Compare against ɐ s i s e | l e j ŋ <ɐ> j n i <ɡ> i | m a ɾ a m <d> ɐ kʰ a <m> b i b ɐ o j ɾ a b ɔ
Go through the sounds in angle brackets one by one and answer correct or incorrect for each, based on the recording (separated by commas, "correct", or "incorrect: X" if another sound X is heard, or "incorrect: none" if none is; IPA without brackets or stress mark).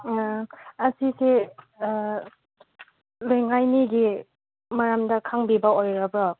incorrect: a, correct, correct, incorrect: ŋ